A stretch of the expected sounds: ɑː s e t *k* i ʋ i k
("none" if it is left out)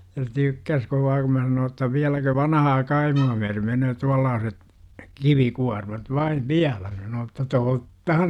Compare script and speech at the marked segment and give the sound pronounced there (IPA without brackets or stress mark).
k